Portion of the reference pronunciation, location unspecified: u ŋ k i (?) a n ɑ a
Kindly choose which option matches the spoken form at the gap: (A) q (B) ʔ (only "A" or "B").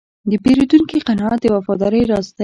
A